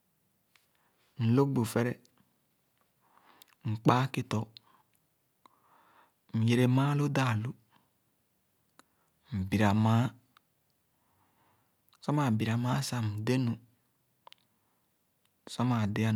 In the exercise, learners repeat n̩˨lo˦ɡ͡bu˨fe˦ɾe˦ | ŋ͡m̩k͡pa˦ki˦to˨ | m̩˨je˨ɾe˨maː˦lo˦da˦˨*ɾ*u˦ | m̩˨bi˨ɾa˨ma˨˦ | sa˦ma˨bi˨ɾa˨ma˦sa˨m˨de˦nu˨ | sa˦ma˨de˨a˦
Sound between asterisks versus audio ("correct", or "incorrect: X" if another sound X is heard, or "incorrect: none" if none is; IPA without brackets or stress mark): incorrect: l